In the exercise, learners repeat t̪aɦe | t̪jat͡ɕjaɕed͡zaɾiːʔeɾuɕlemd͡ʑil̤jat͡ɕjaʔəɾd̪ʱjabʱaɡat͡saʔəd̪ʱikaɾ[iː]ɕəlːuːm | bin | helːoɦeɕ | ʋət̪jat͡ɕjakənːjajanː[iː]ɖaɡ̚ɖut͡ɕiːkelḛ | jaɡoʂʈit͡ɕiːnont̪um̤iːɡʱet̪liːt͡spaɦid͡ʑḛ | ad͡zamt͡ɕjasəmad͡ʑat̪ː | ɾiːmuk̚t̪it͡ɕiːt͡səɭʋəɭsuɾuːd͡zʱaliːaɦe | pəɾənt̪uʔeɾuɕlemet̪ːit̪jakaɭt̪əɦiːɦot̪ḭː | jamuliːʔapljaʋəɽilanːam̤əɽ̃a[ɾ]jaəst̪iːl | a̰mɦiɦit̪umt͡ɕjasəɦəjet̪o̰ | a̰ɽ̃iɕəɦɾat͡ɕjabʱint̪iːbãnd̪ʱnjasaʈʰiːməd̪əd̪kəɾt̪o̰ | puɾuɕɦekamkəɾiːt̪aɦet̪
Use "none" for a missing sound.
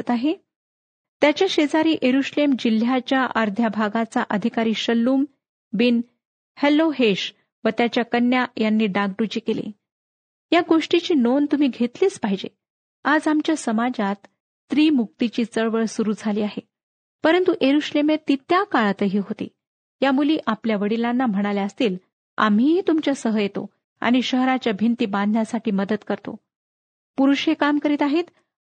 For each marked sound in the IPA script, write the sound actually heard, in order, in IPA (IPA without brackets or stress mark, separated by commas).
iː, iː, l